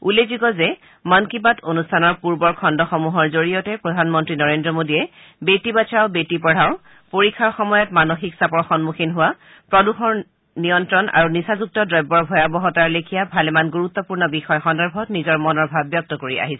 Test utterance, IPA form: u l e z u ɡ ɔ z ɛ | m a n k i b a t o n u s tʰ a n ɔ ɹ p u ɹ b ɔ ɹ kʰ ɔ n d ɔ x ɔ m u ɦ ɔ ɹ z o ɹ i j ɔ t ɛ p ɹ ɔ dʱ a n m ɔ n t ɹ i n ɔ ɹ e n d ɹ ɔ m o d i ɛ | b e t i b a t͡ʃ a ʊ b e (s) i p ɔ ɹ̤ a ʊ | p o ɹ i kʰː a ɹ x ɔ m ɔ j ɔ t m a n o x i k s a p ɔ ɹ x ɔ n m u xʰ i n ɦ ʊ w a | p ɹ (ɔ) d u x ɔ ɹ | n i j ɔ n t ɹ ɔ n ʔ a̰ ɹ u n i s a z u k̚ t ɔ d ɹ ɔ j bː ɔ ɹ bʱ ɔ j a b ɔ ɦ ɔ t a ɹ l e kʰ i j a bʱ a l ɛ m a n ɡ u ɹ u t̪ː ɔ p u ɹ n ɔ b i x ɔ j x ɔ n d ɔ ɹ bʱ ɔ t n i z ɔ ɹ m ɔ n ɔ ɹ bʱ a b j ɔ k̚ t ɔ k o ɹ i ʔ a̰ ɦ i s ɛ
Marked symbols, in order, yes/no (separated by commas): no, yes